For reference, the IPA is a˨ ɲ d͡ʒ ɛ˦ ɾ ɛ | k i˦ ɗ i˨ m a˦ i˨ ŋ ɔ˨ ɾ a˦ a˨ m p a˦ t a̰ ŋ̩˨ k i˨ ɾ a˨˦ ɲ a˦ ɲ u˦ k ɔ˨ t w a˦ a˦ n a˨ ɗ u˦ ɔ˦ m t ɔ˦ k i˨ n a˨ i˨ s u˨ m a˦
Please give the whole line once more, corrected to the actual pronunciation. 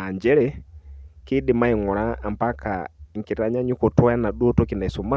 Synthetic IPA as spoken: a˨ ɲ d͡ʒ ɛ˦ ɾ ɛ | k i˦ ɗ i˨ m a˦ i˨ ŋ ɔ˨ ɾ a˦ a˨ m p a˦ k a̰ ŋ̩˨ k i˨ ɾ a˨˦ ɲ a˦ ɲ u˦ k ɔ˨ t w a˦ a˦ n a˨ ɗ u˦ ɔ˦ t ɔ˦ k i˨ n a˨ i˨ s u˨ m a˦